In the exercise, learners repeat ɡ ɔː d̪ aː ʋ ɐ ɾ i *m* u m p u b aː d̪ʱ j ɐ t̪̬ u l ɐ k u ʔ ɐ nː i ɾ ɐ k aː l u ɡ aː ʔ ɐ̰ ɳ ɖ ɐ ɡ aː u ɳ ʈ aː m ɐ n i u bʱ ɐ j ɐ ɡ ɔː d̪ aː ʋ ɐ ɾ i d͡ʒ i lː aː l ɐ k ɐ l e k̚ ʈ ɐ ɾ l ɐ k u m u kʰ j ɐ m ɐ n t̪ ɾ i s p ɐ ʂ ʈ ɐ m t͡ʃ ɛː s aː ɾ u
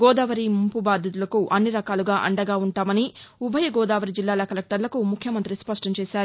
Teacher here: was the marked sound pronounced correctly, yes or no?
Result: yes